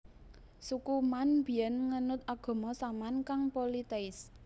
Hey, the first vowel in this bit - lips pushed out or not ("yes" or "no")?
yes